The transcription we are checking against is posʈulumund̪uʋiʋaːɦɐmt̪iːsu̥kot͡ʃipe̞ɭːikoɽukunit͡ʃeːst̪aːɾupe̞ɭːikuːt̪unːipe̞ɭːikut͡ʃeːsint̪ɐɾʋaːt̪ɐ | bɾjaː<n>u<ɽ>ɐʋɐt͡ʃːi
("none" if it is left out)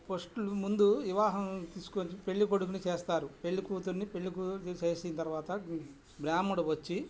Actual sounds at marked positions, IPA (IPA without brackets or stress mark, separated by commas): m, ɽ